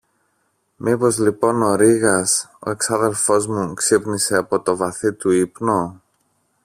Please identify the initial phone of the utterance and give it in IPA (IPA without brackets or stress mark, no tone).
m